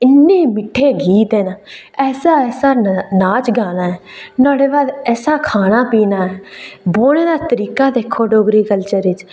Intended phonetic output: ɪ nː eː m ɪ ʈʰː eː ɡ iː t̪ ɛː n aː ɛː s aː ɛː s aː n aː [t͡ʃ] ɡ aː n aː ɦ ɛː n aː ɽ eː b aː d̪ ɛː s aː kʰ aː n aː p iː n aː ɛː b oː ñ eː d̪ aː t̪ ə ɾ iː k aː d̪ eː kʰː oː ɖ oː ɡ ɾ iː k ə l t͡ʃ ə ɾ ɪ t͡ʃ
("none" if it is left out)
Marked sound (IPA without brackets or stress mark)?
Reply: t͡ʃ